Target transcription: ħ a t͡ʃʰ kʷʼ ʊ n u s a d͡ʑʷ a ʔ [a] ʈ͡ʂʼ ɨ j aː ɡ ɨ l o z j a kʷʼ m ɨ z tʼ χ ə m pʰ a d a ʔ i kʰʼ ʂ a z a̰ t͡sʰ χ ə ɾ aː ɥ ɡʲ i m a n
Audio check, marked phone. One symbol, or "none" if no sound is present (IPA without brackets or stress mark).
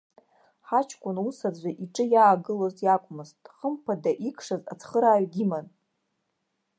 i